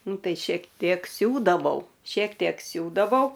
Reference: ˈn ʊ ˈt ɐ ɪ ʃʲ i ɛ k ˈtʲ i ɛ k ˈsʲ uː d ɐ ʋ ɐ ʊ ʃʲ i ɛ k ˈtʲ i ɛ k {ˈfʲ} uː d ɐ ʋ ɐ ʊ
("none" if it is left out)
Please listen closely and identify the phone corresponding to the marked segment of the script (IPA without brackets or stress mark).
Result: sʲ